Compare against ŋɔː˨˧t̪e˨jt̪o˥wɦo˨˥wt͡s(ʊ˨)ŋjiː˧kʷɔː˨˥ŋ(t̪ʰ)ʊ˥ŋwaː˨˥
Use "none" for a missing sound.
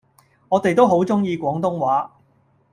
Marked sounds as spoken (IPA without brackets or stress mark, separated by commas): ʊ˥, t̪